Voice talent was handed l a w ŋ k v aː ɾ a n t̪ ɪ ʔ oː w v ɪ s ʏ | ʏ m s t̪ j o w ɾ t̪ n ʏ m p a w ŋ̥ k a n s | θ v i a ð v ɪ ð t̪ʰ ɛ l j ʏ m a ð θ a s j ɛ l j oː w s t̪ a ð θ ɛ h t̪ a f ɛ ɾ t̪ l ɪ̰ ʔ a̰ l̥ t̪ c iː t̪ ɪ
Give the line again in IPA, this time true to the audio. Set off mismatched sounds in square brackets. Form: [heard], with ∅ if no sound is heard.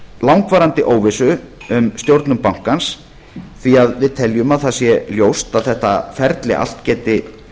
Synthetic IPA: l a w ŋ k v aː ɾ a n t̪ ɪ ʔ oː w v ɪ s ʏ | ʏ m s t̪ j o w ɾ t̪ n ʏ m p a w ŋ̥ k a n s | θ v i a ð v ɪ ð t̪ʰ ɛ l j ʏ m a ð θ a s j ɛ l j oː w s t̪ a ð θ ɛ h t̪ a f ɛ ɾ t̪ l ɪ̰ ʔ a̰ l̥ t̪ c [ɛː] t̪ ɪ